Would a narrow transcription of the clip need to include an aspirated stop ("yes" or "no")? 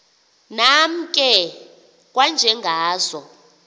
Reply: no